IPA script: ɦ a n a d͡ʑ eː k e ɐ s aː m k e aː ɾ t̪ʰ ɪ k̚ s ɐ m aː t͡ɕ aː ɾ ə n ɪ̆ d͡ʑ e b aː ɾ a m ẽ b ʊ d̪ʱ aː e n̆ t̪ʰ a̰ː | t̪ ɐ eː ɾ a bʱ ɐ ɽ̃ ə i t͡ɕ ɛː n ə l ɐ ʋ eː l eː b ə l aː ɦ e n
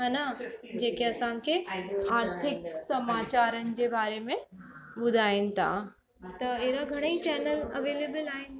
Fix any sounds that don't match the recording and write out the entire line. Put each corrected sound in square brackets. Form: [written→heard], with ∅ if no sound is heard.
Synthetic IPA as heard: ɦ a n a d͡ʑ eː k e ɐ s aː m k e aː ɾ t̪ʰ ɪ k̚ s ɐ m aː t͡ɕ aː ɾ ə n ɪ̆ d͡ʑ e b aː ɾ [a→e] m ẽ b ʊ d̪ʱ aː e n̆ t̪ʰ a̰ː | t̪ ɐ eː ɾ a [bʱ→ɡʱ] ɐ ɽ̃ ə i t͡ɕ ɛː n ə l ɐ ʋ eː l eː b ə l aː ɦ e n